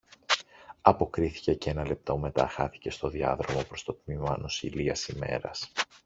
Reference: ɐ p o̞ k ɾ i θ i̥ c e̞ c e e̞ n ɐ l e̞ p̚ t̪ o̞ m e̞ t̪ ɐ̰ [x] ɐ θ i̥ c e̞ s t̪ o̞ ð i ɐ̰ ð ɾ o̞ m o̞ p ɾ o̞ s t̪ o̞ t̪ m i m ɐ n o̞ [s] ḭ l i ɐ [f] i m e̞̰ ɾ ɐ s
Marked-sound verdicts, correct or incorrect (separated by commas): correct, correct, incorrect